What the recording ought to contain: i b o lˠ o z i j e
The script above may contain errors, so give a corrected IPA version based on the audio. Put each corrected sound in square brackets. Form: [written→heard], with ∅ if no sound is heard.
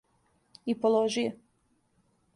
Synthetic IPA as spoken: i [b→p] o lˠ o [z→ʒ] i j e